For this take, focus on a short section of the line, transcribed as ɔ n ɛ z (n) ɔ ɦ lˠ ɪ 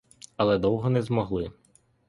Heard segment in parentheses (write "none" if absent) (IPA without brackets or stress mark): m